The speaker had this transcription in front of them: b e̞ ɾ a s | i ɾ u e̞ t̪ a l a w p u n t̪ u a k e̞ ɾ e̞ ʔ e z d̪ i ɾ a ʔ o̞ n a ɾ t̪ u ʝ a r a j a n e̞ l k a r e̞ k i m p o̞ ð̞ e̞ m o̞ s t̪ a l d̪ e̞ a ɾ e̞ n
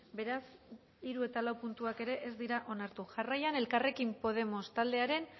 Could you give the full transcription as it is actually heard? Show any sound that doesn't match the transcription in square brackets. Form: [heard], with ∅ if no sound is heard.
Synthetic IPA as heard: b e̞ ɾ a s | i ɾ u e̞ t̪ a l a w p u n t̪ u a k e̞ ɾ e̞ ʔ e z d̪ i ɾ a ʔ o̞ n a ɾ t̪ u ʝ a r a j a n e̞ l k a r e̞ k i m p o̞ ð̞ e̞ m o̞ s t̪ a l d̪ e̞ a ɾ e̞ n